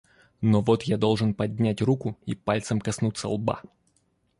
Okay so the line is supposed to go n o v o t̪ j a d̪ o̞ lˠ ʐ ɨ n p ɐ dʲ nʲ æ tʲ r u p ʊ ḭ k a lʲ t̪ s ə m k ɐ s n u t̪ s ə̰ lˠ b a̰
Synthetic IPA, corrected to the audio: n o v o t̪ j a d̪ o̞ lˠ ʐ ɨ n p ɐ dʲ nʲ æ tʲ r u k ʊ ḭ p a lʲ t̪ s ə m k ɐ s n u t̪ s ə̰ lˠ b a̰